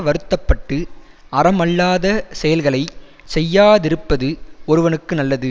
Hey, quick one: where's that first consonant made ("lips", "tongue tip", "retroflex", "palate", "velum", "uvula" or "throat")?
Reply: lips